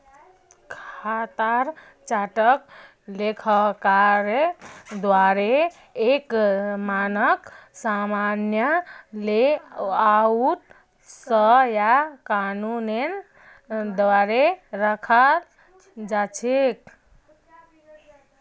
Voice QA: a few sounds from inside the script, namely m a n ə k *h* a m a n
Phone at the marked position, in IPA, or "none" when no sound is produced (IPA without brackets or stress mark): s